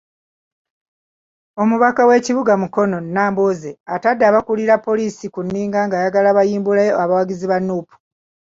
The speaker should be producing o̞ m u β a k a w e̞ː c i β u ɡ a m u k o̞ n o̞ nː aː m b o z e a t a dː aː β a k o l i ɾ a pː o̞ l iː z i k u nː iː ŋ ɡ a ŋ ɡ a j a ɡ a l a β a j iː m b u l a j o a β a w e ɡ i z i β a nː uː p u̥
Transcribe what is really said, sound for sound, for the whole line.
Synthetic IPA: o̞ m u β a k a w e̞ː c i β u ɡ a m u k o̞ n o̞ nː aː m b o z e a t a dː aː β a k u l i ɾ a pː o̞ l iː s i k u nː iː ŋ ɡ a ŋ ɡ a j a ɡ a l a β a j iː m b u l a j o a β a w a ɡ i z i β a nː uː p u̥